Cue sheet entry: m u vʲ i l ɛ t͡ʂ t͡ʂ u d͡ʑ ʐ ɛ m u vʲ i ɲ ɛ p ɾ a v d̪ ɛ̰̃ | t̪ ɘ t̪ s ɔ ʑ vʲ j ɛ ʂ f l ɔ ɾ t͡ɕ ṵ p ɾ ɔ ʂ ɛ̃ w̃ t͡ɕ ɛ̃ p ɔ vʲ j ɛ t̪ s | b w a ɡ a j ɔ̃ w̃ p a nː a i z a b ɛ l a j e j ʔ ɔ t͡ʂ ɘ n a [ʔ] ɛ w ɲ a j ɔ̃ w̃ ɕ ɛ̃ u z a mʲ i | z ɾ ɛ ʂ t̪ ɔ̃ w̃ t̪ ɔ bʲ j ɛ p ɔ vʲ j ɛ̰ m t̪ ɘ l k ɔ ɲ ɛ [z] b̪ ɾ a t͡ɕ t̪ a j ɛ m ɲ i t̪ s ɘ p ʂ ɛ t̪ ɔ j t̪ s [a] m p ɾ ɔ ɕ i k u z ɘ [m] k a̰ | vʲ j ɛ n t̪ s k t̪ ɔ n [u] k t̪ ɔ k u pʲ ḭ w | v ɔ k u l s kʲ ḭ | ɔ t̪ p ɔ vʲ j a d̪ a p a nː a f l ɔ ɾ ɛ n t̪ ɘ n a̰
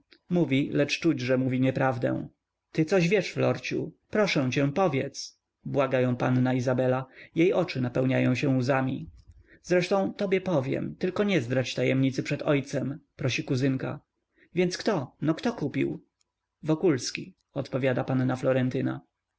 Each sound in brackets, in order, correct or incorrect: incorrect: p, correct, incorrect: ɛ, incorrect: ŋ, incorrect: ɔ

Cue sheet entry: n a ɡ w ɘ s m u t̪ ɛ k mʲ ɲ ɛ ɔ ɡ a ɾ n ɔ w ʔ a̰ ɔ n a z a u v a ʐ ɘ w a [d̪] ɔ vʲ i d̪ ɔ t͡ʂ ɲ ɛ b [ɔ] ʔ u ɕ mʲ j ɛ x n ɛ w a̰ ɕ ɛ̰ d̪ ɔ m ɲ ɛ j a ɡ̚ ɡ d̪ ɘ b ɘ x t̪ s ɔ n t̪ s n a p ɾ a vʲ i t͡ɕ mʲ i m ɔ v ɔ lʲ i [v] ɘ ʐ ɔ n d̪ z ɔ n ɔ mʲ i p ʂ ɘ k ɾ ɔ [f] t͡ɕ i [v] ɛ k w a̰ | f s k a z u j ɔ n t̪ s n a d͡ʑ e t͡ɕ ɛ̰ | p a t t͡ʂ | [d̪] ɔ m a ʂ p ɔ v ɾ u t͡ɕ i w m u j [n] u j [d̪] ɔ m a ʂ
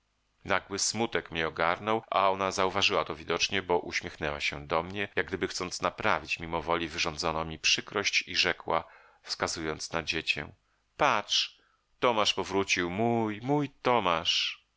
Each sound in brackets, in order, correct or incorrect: incorrect: t̪, correct, correct, incorrect: ɕ, incorrect: ʐ, incorrect: t̪, incorrect: m, incorrect: t̪

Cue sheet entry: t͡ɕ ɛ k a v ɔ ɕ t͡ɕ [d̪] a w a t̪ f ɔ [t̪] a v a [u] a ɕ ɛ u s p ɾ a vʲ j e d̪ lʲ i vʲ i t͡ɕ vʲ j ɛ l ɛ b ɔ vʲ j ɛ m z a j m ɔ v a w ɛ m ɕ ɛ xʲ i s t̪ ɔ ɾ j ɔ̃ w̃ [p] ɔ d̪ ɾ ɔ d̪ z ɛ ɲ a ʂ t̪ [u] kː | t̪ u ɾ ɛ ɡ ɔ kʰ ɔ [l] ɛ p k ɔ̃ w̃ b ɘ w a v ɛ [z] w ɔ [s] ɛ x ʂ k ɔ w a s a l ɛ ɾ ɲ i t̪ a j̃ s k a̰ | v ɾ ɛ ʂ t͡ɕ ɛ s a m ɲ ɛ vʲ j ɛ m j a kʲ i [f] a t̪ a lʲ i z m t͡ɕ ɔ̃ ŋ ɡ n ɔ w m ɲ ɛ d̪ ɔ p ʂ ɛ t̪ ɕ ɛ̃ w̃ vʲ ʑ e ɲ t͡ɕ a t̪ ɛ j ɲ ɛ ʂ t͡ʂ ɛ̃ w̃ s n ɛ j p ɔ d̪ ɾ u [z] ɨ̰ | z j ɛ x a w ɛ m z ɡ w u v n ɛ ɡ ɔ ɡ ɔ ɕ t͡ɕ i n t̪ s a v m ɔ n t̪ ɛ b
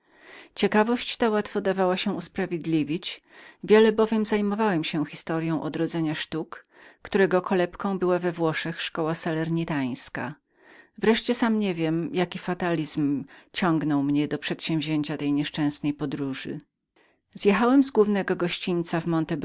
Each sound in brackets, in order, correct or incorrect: incorrect: t̪, incorrect: d̪, incorrect: w, incorrect: ʔ, correct, correct, incorrect: v, incorrect: ʂ, correct, incorrect: ʐ

